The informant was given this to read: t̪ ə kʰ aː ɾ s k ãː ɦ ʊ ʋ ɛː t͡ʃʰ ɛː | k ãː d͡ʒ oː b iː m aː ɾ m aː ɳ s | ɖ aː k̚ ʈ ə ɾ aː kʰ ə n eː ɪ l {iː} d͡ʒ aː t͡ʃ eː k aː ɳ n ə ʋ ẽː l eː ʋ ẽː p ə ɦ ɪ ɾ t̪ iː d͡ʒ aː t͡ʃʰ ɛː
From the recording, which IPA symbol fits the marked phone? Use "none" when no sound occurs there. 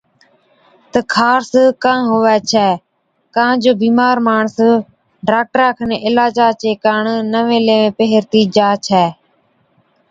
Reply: aː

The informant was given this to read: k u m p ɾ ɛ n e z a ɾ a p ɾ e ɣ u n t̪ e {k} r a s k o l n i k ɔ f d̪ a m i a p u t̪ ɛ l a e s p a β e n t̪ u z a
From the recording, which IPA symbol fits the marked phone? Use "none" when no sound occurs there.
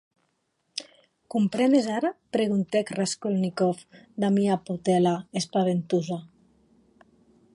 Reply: k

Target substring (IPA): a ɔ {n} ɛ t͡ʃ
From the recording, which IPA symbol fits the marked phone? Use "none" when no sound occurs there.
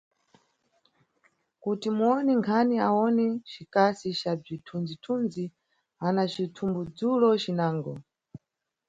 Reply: n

